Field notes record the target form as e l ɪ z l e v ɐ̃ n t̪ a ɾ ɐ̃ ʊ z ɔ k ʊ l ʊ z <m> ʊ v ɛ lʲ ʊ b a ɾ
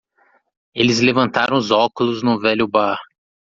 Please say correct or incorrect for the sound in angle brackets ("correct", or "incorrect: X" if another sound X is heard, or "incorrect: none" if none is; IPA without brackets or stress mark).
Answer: incorrect: n